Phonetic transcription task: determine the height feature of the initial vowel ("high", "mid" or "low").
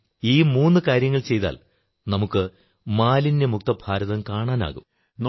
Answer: high